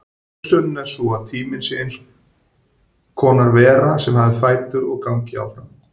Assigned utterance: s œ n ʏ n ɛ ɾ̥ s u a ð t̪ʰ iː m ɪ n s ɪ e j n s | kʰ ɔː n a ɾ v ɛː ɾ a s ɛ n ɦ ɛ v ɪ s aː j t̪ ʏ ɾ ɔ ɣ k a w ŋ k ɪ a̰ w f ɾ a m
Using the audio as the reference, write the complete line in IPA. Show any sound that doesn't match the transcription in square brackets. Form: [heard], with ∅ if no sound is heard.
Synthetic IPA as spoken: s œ n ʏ n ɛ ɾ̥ s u a ð t̪ʰ iː m ɪ n s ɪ e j n s | kʰ ɔː n a ɾ v ɛː ɾ a s ɛ [m] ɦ [a] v ɪ [f] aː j t̪ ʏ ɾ ɔ ɣ k a w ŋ [c] ɪ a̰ w f ɾ a m